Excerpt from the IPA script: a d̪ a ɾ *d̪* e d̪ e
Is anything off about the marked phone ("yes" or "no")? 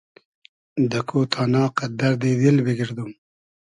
no